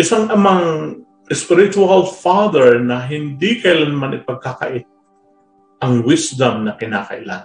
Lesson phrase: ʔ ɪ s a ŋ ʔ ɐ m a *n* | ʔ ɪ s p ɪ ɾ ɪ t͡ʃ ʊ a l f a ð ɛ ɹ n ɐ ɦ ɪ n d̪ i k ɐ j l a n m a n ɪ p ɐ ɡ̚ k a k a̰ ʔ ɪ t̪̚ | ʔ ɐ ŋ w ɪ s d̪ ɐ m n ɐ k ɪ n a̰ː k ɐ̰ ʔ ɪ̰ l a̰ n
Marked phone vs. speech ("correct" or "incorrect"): incorrect